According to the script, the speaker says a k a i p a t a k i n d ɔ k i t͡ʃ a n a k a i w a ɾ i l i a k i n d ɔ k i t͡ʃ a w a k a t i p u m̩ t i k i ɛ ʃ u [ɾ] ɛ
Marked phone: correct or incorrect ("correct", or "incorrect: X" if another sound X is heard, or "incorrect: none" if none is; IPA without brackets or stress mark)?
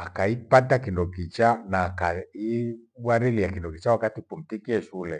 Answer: incorrect: l